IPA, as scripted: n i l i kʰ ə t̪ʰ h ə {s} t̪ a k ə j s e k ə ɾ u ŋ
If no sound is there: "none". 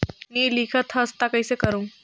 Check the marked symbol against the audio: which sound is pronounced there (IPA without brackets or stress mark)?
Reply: s